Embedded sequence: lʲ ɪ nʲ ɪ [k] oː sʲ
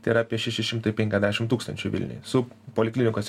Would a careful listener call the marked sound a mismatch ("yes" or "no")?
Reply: no